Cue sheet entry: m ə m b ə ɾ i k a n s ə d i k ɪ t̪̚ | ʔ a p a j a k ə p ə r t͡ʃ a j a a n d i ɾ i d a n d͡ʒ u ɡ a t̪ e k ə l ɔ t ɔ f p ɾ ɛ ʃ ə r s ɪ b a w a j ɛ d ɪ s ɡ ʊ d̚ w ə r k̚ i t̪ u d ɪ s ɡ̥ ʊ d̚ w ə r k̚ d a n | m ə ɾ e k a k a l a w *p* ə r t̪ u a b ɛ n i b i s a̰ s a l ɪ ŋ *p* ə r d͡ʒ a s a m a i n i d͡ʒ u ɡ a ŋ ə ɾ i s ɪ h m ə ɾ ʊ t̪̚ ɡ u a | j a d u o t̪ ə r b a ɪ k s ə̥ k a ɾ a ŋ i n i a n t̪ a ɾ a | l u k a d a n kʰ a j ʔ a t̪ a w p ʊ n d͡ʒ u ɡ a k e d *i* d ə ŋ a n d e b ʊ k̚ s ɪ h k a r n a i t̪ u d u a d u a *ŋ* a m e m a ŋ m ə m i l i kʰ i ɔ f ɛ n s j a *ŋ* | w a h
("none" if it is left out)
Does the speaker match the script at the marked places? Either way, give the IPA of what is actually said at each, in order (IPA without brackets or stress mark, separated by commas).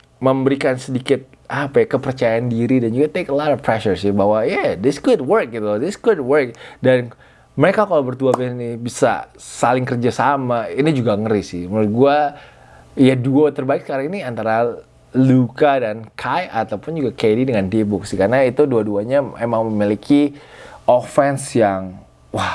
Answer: b, k, i, ɲ, ŋ